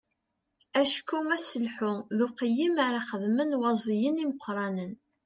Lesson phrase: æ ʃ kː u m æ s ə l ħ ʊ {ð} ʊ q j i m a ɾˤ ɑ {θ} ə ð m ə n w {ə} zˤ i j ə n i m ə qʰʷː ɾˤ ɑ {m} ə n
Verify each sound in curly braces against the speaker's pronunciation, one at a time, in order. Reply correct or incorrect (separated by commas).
correct, incorrect, incorrect, incorrect